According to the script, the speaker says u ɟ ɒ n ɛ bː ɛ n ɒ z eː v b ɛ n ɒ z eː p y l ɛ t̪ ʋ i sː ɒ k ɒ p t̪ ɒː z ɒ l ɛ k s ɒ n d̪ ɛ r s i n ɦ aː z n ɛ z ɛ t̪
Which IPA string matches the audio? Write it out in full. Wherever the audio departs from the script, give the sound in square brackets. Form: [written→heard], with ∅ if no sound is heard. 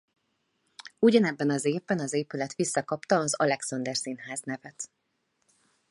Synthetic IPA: u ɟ ɒ n ɛ bː ɛ n ɒ z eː v b ɛ n ɒ z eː p y l ɛ t̪ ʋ i sː ɒ k ɒ p t̪ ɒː z ɒ l ɛ k s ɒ n d̪ ɛ r s i n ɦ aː z n ɛ [z→v] ɛ t̪